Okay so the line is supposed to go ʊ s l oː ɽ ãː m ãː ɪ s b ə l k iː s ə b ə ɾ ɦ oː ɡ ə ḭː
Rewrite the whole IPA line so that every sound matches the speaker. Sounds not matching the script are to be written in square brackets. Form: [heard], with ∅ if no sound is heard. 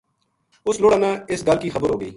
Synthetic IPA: ʊ s l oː ɽ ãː [n] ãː ɪ s [ɡ] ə l k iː [x] ə b ə ɾ ɦ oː ɡ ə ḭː